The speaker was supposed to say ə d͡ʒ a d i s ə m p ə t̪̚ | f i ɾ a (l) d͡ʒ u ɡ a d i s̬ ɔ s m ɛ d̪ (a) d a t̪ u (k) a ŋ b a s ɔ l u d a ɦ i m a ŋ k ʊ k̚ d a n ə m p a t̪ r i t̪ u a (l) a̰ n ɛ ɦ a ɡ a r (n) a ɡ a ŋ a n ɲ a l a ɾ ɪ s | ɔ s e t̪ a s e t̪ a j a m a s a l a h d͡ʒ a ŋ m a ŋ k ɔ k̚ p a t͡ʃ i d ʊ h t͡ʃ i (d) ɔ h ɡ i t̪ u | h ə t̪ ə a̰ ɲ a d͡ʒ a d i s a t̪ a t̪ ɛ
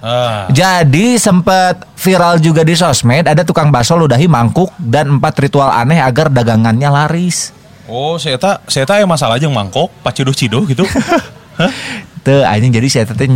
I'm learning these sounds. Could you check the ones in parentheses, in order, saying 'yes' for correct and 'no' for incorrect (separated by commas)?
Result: yes, yes, yes, yes, no, yes